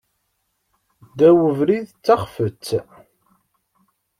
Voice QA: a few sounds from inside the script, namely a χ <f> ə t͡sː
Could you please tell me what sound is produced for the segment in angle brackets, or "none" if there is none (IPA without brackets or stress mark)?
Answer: f